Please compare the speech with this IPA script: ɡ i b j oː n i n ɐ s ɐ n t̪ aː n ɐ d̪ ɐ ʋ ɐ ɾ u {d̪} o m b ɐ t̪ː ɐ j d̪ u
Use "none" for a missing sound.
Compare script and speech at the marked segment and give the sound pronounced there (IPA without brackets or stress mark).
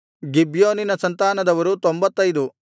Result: t̪